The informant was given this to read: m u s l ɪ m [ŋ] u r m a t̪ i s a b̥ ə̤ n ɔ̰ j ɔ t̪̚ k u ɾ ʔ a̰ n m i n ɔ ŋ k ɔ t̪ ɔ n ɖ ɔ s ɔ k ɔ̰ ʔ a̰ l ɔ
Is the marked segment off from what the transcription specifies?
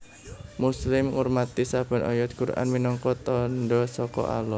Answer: no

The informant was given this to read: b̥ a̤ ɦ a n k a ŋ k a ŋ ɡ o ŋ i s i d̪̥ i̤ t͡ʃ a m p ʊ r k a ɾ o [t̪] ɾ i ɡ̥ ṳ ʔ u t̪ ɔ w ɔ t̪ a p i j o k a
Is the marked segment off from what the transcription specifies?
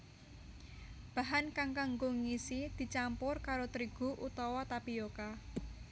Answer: no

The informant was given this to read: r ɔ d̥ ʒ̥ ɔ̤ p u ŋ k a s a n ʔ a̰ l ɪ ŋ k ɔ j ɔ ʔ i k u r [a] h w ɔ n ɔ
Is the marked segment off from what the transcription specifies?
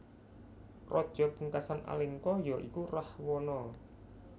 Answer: no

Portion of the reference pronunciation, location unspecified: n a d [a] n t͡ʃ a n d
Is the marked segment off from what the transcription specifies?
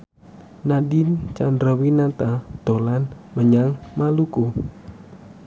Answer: yes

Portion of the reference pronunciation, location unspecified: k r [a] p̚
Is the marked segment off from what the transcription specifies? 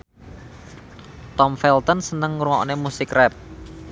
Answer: yes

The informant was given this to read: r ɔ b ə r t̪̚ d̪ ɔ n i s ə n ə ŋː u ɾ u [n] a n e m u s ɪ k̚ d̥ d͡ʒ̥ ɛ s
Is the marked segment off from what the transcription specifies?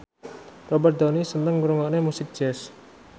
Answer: yes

